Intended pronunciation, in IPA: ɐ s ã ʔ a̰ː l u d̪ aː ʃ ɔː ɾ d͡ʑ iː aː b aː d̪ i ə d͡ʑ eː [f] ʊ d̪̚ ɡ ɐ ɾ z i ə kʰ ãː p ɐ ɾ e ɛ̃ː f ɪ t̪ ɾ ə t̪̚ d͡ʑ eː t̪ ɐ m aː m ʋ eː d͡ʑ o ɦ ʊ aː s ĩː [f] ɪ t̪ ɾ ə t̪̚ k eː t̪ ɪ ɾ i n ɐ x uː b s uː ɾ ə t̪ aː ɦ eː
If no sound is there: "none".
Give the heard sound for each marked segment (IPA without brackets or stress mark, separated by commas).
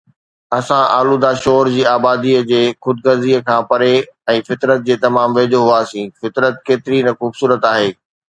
x, f